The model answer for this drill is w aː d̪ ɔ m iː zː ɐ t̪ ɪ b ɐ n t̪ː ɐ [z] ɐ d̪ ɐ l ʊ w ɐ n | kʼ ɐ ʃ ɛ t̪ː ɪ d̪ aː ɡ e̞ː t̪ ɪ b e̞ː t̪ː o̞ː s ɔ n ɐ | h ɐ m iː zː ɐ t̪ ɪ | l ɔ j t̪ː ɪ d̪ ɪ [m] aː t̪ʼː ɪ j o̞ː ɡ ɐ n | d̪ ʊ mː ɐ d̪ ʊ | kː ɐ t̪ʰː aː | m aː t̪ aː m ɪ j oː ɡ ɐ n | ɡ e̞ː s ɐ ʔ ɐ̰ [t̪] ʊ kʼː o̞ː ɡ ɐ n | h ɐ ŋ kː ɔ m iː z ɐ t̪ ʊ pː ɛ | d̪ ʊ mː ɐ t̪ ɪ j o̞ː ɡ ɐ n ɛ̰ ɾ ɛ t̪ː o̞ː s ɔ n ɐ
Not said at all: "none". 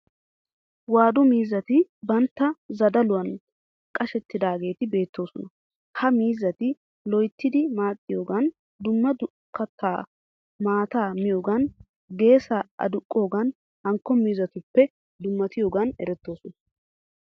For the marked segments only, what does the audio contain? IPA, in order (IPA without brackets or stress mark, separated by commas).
z, m, d̪